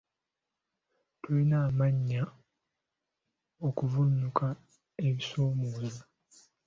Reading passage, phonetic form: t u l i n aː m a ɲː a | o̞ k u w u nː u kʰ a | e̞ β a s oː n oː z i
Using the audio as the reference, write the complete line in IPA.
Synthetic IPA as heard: t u l i n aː m a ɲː a | o̞ k u v u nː u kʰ a | e̞ β i s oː m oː z a